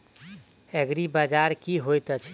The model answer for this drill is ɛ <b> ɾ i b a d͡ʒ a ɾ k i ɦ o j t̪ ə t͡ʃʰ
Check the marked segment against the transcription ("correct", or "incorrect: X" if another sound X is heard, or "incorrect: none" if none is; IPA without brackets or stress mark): incorrect: ɡ